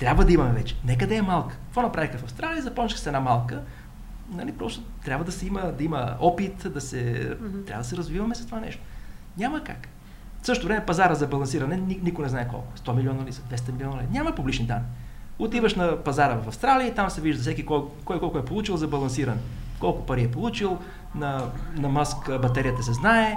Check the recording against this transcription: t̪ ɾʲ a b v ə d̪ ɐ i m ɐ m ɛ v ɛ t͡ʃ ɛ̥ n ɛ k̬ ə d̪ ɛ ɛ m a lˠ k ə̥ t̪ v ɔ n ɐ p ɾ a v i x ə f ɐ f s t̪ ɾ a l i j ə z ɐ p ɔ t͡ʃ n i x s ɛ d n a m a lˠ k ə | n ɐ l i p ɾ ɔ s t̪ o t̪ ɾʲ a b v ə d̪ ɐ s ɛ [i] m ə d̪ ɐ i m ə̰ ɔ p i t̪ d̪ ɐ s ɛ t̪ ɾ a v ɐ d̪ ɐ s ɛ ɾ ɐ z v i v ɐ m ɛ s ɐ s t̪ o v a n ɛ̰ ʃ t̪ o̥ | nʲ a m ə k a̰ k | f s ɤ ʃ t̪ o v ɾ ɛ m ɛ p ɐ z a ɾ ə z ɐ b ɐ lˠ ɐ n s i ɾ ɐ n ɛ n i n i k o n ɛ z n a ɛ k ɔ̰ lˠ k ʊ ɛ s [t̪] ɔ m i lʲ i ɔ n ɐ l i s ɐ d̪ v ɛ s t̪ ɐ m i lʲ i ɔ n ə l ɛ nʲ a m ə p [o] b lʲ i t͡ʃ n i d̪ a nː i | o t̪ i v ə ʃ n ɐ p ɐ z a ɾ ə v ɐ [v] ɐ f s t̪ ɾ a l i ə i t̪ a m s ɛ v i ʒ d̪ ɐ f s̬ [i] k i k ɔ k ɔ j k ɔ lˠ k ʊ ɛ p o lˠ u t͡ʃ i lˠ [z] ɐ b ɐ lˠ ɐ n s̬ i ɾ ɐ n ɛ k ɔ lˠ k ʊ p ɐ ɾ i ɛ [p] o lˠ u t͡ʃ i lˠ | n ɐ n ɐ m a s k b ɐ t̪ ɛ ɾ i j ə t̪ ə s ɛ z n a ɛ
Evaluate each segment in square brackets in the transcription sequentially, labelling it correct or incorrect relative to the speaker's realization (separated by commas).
correct, correct, incorrect, incorrect, incorrect, correct, correct